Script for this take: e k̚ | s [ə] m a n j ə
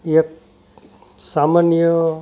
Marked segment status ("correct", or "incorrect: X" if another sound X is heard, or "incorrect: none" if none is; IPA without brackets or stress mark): incorrect: a